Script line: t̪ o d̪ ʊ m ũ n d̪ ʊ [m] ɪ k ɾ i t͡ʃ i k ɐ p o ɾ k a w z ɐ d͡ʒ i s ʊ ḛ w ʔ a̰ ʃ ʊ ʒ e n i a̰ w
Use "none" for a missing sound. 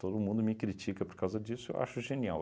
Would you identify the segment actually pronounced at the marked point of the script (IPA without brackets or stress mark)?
m